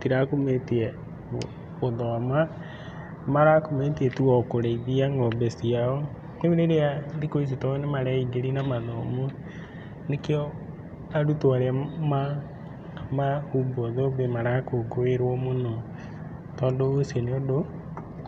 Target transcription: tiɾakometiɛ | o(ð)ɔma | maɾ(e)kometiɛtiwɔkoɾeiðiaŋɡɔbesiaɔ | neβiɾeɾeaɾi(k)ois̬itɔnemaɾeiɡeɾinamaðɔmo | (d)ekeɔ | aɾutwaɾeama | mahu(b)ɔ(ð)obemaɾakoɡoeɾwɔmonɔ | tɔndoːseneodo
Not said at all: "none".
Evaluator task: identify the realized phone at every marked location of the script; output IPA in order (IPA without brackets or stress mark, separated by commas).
ð, a, k, n, b, ð